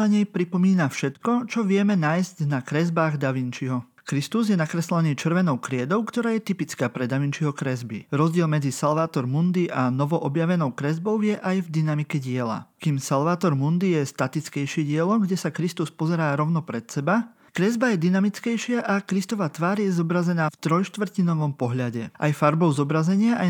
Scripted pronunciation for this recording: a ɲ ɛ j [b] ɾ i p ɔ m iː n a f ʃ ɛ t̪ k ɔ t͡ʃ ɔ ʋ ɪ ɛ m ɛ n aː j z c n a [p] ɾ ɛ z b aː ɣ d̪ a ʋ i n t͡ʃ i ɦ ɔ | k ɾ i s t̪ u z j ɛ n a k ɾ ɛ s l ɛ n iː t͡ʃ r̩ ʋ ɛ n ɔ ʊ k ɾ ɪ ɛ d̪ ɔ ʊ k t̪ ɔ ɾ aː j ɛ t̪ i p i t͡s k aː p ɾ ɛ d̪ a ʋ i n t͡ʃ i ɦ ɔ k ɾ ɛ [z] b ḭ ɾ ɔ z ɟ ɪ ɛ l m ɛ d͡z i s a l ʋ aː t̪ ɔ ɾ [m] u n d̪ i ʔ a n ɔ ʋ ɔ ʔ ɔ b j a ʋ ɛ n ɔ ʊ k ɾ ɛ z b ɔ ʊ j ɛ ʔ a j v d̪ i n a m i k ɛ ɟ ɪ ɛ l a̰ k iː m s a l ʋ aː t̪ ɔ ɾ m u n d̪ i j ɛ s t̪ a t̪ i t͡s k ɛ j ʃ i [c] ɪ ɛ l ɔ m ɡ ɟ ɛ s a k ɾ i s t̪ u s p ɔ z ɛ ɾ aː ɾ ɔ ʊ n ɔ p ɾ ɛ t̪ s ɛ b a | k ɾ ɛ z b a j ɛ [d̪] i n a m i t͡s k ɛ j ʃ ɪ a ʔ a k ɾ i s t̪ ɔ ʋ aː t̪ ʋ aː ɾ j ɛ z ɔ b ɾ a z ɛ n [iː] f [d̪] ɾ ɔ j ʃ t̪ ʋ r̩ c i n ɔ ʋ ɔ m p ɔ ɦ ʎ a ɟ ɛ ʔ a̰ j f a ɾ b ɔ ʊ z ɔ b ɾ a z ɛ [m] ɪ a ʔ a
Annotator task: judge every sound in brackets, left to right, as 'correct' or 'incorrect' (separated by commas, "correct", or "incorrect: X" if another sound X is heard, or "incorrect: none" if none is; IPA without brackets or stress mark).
incorrect: p, incorrect: k, correct, correct, incorrect: ɟ, correct, incorrect: aː, incorrect: t̪, incorrect: ɲ